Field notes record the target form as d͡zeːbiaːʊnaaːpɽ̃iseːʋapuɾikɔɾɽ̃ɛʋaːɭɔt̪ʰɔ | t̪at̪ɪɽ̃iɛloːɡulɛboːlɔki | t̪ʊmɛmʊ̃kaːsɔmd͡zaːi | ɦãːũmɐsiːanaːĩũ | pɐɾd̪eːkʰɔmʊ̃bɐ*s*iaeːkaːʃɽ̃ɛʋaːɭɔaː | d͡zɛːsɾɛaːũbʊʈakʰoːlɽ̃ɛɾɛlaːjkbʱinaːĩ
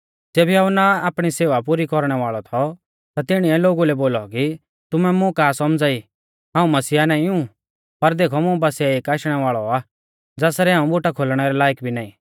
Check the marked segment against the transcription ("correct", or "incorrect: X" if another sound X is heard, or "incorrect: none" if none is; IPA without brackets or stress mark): correct